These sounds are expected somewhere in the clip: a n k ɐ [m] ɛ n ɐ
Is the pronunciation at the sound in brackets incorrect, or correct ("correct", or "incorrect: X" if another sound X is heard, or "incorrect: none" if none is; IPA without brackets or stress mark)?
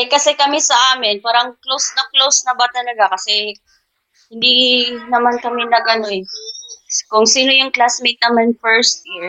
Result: correct